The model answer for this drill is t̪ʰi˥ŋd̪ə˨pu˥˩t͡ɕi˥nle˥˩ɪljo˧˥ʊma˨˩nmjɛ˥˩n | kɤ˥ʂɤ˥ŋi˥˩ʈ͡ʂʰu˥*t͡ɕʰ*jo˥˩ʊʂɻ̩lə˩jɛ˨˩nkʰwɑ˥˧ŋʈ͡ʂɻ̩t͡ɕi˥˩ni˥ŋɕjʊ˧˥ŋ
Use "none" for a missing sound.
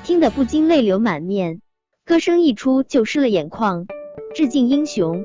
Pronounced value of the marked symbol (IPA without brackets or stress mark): t͡ɕ